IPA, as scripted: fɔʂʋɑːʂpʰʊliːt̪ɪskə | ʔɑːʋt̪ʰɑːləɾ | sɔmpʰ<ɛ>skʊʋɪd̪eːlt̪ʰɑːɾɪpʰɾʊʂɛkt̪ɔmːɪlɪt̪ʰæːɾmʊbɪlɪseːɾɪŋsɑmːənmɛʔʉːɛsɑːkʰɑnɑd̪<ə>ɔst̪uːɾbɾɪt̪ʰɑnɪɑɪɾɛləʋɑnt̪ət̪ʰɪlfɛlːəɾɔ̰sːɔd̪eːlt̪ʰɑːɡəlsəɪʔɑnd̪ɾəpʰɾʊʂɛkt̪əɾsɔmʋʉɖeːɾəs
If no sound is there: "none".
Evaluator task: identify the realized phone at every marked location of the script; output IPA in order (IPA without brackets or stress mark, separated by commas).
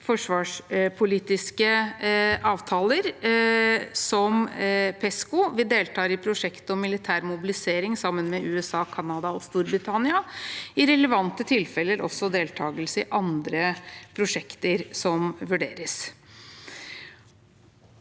ɛ, ɑ